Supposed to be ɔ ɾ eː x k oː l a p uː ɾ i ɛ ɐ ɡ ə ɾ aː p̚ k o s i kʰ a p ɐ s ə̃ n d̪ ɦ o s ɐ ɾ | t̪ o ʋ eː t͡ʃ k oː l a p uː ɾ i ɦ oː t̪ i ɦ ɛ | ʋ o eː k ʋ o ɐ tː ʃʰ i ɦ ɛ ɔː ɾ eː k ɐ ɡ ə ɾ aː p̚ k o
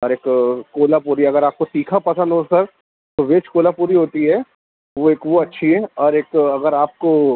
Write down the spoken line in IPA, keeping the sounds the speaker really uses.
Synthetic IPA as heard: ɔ ɾ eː k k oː l a p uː ɾ i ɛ ɐ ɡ ə ɾ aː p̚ k o s iː kʰ a p ɐ s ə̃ n d̪ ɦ o s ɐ ɾ | t̪ o ʋ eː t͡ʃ k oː l a p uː ɾ i ɦ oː t̪ i ɦ ɛ | ʋ o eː k ʋ o ɐ tː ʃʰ i ɦ ɛ ɔː ɾ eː k ɐ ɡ ə ɾ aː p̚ k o